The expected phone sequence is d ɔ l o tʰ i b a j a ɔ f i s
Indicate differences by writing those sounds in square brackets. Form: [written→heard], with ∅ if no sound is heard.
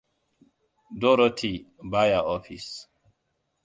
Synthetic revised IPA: d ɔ [l→ɾ] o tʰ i b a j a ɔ f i s